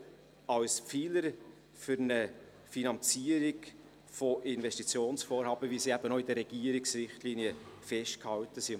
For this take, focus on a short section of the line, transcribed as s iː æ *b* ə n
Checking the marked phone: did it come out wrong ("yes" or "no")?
no